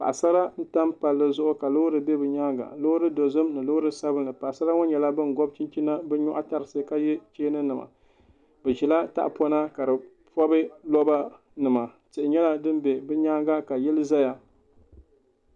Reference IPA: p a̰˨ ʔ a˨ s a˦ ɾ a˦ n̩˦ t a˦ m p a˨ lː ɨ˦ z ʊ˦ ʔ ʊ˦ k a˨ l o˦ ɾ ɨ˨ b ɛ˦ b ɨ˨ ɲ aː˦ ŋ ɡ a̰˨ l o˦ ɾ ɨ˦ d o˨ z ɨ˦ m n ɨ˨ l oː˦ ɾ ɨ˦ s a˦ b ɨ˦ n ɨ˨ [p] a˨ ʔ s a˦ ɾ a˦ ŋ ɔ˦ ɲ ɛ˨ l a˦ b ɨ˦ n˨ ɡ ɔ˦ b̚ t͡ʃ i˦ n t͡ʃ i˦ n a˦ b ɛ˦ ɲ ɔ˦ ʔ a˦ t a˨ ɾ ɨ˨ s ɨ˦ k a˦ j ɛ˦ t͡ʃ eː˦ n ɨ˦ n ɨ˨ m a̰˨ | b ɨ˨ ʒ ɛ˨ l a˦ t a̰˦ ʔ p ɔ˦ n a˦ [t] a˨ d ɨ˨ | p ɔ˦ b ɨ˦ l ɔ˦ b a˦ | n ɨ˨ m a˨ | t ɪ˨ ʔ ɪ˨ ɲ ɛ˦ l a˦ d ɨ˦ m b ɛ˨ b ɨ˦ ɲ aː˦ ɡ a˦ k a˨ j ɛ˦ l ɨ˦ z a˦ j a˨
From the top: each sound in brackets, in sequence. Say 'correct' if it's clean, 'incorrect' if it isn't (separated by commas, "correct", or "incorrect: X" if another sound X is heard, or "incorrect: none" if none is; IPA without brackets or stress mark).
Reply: correct, incorrect: k